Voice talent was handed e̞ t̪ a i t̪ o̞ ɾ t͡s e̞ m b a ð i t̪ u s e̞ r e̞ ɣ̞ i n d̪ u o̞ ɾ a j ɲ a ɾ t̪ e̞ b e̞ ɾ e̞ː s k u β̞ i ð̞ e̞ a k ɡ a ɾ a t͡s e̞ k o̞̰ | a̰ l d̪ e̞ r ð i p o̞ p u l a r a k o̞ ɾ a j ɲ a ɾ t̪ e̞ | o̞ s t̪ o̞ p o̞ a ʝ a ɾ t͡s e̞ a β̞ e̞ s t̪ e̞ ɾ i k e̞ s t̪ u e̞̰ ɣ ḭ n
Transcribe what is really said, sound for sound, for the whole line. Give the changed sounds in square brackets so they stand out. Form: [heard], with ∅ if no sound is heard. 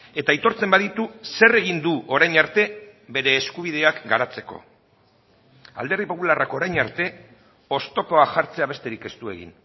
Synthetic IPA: e̞ t̪ a i t̪ o̞ ɾ t͡s e̞ m b a ð i t̪ u s e̞ r e̞ ɣ̞ i n d̪ u o̞ ɾ a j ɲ a ɾ t̪ e̞ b e̞ ɾ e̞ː s k u β̞ i ð̞ e̞ a k ɡ a ɾ a t͡s e̞ k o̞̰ | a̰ l d̪ e̞ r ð i p o̞ p u l a r a k o̞ ɾ a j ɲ a ɾ t̪ e̞ | o̞ s t̪ o̞ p o̞ a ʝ a ɾ t͡s e̞ a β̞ e̞ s t̪ e̞ ɾ i k e̞ s t̪ u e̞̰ ɣ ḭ n